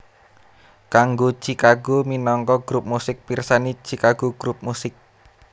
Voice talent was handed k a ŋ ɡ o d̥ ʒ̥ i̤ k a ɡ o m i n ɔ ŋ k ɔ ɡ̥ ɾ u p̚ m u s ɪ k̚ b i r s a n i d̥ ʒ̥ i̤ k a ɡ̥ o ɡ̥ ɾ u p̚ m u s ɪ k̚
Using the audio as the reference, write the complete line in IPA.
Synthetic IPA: k a ŋ ɡ o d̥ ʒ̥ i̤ k a ɡ o m i n ɔ ŋ k ɔ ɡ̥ ɾ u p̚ m u s ɪ k̚ p i r s a n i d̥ ʒ̥ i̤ k a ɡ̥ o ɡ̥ ɾ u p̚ m u s ɪ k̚